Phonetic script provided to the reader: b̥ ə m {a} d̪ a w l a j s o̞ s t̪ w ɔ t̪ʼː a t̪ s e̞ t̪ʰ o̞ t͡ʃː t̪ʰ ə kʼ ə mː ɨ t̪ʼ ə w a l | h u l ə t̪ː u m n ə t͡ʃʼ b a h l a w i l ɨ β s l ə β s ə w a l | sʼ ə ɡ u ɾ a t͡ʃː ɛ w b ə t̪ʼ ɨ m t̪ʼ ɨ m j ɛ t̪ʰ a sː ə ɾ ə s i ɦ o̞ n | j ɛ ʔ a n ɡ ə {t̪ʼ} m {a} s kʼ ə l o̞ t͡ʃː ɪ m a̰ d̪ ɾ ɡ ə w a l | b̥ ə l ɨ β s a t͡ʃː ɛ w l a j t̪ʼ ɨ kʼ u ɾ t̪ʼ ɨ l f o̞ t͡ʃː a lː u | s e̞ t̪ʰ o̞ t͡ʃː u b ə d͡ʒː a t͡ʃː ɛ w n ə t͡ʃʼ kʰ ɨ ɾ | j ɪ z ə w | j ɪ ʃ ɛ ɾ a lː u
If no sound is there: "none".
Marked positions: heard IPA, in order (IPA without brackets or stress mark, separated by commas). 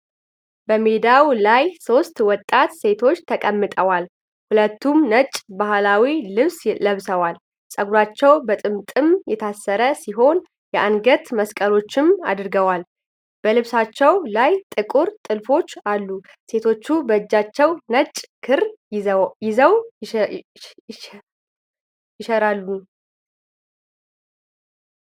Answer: e, t̪, ə